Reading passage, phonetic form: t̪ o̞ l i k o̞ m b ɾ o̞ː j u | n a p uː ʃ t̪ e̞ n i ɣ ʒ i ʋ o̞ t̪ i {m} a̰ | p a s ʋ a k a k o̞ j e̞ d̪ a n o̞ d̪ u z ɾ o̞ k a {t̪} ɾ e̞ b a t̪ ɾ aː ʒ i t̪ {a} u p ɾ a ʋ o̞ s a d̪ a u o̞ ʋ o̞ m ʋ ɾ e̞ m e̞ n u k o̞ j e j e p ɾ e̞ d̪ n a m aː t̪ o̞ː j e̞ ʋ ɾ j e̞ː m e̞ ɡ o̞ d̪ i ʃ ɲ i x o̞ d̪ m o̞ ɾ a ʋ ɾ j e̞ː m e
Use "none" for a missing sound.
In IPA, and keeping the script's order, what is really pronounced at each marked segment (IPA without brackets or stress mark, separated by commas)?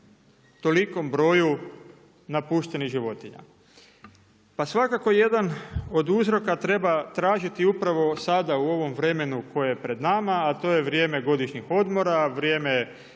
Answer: ɲ, t̪, i